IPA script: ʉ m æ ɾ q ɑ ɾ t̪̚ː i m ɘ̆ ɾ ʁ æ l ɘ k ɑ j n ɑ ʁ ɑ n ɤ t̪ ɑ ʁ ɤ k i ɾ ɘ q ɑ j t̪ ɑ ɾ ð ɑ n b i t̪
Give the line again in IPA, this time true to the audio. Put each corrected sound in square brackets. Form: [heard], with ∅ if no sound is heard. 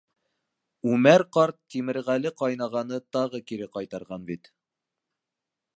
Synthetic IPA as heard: ʉ m æ ɾ q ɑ ɾ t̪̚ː i m ɘ̆ ɾ ʁ æ l ɘ [q] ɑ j n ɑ ʁ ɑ n ɤ t̪ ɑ ʁ ɤ k i ɾ ɘ q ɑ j t̪ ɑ ɾ [ʁ] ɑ n b i t̪